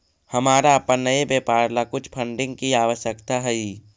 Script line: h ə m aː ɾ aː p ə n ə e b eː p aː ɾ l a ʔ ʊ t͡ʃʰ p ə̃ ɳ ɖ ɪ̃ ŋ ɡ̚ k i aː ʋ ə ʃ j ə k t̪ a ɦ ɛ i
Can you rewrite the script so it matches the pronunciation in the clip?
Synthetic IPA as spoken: h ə m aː ɾ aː p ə n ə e b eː p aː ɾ l a k ʊ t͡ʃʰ pʰ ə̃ ɳ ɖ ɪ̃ ŋ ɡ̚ k i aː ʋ ə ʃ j ə k t̪ a ɦ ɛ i